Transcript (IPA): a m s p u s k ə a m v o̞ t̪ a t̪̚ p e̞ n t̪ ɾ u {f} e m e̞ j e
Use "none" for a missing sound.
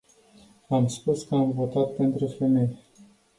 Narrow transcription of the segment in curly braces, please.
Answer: f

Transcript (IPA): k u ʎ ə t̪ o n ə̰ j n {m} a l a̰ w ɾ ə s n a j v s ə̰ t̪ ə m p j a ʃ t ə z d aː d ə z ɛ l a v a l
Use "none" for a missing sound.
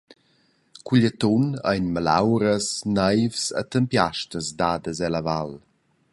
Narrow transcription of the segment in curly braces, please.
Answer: m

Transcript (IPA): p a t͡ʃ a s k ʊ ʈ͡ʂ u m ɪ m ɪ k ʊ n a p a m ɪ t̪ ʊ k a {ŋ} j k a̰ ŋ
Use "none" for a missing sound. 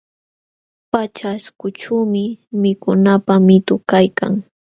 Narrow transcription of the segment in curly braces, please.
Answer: none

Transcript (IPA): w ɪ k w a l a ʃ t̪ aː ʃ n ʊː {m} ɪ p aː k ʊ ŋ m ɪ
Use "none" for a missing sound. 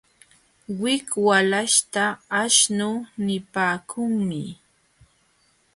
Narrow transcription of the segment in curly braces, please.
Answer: n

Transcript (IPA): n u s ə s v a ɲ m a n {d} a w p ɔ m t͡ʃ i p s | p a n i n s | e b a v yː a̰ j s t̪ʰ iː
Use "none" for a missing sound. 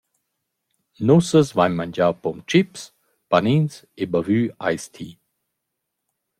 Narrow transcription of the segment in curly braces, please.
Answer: d͡ʒ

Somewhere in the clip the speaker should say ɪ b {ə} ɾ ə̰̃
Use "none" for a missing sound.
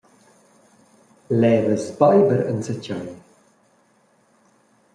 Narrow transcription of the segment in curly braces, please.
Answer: ə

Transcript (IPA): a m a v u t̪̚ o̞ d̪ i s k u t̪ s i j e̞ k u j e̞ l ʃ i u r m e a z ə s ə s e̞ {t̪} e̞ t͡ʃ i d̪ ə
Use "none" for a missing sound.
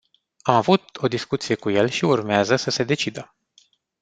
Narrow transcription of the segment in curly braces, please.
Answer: d̪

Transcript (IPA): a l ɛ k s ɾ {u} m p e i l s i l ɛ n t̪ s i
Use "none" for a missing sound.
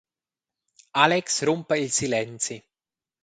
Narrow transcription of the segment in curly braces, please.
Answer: u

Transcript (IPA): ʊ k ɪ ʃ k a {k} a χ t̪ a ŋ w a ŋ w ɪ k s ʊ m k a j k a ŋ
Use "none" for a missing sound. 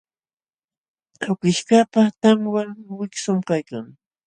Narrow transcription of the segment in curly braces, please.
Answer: p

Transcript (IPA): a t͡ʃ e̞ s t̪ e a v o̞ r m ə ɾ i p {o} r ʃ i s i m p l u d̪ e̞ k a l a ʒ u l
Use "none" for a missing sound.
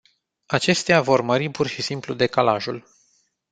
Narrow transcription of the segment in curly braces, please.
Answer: u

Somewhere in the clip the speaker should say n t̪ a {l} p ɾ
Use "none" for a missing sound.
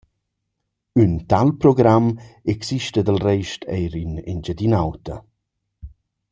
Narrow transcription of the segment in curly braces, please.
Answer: l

